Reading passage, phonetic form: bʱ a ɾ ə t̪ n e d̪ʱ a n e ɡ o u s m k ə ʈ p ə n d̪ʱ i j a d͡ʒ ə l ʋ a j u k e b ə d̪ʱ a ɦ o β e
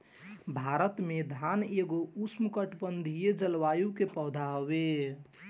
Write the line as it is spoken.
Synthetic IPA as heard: bʱ a ɾ ə t̪ m e d̪ʱ a n e ɡ o u s m k ə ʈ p ə n d̪ʱ i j e d͡ʒ ə l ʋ a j u k e p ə d̪ʱ a ɦ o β e